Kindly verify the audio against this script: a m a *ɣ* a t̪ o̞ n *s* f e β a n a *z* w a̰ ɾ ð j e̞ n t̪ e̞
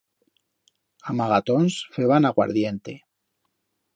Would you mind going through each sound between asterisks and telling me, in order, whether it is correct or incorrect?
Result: correct, correct, incorrect: ɣ

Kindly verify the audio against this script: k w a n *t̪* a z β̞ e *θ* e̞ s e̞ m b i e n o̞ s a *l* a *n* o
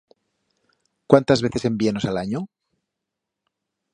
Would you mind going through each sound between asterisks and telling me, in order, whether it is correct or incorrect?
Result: correct, correct, correct, incorrect: ɲ

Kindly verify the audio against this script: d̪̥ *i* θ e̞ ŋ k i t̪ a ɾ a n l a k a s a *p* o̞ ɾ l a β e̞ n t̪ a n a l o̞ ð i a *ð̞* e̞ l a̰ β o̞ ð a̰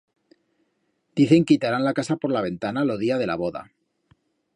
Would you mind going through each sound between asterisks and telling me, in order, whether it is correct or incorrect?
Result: correct, correct, correct

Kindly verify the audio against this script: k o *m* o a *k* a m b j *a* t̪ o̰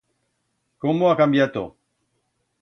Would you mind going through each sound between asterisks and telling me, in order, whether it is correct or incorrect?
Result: correct, correct, correct

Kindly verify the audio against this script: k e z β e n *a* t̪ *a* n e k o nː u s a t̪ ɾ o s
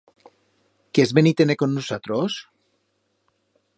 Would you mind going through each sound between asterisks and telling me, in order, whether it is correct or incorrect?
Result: incorrect: i, incorrect: e

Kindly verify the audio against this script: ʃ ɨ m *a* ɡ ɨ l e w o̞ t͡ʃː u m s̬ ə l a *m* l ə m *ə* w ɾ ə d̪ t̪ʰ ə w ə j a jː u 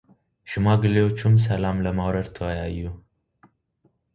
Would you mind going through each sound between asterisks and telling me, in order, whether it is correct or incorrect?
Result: correct, correct, incorrect: a

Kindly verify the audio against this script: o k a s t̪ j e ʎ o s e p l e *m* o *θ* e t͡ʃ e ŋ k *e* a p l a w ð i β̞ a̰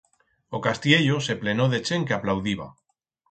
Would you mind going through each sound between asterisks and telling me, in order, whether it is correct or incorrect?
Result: incorrect: n, incorrect: ð, correct

